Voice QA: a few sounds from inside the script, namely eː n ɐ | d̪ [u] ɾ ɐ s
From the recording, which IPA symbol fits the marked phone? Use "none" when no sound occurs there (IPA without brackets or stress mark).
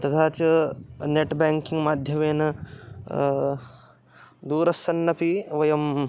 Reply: uː